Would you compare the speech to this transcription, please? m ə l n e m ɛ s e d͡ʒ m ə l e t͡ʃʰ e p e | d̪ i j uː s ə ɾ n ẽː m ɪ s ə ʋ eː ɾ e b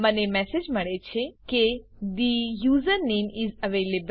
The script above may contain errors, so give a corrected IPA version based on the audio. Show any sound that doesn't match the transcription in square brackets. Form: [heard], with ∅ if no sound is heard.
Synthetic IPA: m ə [∅] n e m ɛ s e d͡ʒ m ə [ɭ] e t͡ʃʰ e [k] e | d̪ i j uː [z] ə ɾ n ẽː m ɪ [z] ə ʋ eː [l] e b